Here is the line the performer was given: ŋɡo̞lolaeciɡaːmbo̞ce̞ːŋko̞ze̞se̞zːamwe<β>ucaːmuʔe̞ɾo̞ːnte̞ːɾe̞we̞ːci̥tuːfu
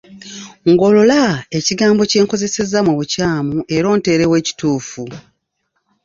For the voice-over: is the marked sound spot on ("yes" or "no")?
yes